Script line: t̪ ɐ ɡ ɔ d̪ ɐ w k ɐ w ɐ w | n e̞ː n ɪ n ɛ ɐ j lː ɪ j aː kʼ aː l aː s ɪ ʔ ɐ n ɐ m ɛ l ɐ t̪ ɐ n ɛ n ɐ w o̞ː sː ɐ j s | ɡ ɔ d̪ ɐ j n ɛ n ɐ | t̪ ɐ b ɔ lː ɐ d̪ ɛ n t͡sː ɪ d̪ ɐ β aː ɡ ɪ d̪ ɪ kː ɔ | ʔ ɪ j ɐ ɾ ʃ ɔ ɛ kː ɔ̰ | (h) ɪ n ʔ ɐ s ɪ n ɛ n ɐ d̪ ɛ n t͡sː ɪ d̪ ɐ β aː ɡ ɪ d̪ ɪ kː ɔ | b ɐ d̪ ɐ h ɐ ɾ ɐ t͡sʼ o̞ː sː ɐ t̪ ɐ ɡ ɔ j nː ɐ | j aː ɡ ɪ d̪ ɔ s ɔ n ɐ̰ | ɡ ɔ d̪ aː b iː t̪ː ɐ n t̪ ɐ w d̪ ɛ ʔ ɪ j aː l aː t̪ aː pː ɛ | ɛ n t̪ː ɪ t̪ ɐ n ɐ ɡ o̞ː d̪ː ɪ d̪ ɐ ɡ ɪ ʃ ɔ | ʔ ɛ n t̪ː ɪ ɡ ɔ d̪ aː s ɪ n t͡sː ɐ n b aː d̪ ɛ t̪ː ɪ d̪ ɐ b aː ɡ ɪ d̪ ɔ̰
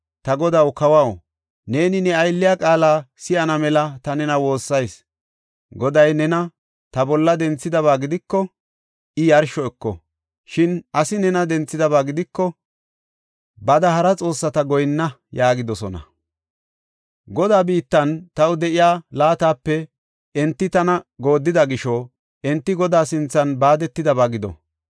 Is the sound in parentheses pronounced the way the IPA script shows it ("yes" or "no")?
no